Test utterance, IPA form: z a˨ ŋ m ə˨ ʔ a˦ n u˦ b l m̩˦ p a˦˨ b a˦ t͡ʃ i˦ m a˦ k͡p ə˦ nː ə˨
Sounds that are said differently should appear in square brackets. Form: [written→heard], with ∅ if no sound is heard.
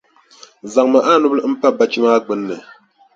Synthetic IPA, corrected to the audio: z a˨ ŋ m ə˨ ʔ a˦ n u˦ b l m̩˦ p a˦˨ b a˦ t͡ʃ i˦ m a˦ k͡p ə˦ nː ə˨